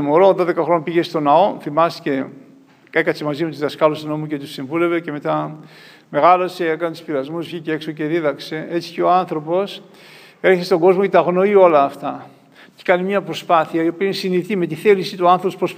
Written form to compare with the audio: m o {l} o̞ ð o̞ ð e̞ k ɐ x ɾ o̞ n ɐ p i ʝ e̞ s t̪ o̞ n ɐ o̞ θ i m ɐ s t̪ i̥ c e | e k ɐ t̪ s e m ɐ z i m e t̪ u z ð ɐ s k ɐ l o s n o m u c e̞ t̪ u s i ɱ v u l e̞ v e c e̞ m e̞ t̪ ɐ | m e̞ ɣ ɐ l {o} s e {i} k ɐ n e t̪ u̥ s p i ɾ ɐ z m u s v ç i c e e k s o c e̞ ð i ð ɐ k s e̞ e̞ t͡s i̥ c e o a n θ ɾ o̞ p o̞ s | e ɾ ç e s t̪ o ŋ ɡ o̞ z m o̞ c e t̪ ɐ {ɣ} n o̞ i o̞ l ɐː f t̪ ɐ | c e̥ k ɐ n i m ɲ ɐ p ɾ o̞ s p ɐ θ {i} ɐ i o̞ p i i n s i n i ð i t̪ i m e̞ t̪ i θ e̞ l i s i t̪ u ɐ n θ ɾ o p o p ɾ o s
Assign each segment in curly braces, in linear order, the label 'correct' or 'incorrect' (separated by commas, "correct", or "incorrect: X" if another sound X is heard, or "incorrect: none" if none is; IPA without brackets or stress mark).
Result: incorrect: ɾ, correct, incorrect: e, correct, correct